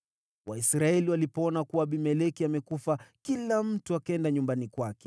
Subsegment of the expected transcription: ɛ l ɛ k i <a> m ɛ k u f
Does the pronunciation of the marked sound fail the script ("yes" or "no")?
no